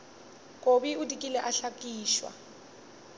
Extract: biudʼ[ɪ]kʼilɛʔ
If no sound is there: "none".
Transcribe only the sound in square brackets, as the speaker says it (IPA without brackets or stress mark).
i